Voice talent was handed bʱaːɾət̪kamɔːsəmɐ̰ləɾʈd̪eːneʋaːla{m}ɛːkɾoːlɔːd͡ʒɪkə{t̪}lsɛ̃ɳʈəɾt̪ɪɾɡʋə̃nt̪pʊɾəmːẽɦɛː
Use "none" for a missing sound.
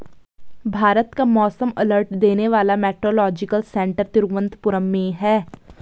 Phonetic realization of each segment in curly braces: m, none

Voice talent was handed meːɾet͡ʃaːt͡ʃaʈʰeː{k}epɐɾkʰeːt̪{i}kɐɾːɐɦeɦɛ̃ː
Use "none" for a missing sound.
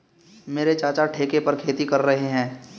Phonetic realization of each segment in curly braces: k, i

